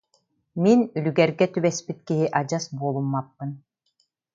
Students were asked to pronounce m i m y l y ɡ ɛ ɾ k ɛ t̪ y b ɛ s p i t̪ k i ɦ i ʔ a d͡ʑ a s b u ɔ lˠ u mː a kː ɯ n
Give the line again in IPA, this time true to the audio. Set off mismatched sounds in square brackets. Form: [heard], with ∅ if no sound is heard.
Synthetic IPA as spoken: m i [n] y l y ɡ ɛ ɾ [ɡ] ɛ t̪ y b ɛ s p i t̪ k i ɦ i ʔ a d͡ʑ a s b u ɔ lˠ u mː a [pː] ɯ n